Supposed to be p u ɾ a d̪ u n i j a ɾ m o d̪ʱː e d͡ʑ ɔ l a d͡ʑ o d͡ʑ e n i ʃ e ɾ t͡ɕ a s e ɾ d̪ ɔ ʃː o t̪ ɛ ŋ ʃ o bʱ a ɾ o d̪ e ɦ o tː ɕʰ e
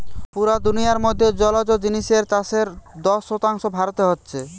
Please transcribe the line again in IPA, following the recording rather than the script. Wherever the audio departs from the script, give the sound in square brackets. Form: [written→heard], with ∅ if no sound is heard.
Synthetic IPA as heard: p u ɾ a d̪ u n i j a ɾ m o d̪ʱː e d͡ʑ ɔ l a d͡ʑ o d͡ʑ [e→i] n i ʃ e ɾ t͡ɕ a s e ɾ d̪ ɔ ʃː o t̪ [ɛ→a] ŋ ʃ o bʱ a ɾ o [d̪→t̪] e ɦ o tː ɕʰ e